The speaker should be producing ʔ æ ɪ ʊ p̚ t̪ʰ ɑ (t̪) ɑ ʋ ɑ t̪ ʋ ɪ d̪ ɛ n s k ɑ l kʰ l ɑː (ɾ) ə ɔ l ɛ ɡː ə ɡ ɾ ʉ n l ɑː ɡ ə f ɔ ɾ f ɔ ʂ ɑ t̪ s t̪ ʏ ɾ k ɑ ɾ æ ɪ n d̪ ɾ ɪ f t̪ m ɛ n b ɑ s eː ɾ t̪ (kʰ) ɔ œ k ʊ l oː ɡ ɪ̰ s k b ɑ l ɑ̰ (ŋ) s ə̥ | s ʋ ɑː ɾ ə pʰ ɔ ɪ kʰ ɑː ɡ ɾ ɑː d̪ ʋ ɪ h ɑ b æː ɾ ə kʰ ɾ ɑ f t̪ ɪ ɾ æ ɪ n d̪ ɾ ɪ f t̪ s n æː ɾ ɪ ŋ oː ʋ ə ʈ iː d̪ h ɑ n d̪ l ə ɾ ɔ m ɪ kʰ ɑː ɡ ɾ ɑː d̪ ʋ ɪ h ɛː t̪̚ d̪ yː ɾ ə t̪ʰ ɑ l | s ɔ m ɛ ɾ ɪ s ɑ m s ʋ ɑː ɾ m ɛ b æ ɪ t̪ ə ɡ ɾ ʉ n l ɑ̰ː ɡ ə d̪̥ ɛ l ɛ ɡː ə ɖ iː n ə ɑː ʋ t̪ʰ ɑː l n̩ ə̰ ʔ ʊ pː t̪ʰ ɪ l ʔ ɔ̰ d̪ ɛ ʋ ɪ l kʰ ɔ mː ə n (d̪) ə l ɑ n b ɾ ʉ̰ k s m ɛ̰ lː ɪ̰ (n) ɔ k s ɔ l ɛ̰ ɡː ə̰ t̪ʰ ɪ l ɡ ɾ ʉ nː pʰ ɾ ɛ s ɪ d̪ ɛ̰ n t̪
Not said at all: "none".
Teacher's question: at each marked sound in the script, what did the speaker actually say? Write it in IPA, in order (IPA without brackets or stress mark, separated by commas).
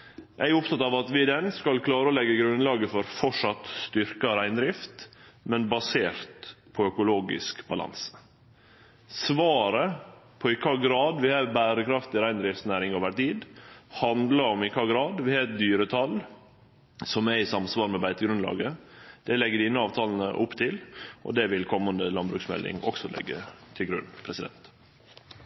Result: t̪, ɾ, pʰ, n, d̪, ŋ